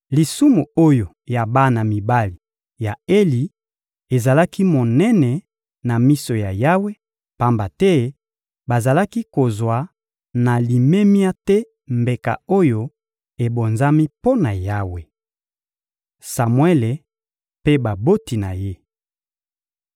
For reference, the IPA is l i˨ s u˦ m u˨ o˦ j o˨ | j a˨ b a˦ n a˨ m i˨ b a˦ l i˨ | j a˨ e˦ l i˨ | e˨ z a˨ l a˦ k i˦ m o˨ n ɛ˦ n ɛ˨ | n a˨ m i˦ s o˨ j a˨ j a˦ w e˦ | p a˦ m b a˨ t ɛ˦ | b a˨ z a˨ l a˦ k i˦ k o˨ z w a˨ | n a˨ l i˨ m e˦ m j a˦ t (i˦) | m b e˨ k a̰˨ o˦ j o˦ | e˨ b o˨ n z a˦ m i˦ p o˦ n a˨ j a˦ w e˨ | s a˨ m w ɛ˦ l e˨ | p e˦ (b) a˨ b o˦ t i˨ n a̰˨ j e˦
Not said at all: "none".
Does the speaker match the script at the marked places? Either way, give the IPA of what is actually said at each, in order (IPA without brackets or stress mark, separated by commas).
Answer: ɛ˦, b